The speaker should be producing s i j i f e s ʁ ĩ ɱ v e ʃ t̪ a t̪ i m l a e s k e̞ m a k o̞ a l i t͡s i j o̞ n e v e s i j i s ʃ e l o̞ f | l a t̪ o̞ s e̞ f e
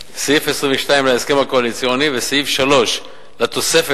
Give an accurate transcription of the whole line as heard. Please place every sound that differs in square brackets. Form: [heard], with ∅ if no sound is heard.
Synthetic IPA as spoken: s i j i f e s ʁ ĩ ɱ v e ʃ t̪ a [∅] i m l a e s k e̞ m a k o̞ a l i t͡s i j o̞ n [i] v e s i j i [f] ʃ [a] l o̞ [ʃ] | l a t̪ o̞ s e̞ f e